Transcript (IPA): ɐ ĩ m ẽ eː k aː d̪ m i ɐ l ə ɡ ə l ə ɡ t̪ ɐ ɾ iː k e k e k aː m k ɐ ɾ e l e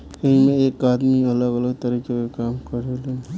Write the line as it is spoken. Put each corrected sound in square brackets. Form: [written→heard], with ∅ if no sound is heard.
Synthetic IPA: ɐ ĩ m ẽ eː k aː d̪ m i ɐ l ə ɡ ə l ə ɡ t̪ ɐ ɾ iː k e k e k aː m k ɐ ɾ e l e